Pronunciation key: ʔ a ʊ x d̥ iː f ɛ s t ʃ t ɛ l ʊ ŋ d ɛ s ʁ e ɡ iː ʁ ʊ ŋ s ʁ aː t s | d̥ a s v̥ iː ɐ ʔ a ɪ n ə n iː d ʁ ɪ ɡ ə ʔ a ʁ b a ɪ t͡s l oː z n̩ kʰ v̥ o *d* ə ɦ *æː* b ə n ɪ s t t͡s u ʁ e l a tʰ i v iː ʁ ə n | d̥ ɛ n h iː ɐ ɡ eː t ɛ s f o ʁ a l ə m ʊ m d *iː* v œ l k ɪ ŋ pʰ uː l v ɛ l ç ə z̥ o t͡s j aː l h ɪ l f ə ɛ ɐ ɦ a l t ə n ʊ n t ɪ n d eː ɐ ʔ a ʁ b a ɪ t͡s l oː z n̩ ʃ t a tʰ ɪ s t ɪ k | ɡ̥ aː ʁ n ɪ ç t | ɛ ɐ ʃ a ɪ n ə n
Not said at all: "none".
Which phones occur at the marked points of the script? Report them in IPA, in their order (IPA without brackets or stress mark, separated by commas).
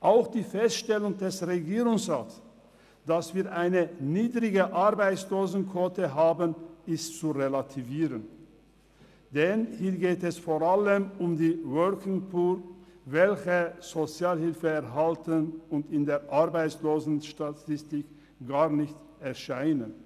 t, aː, iː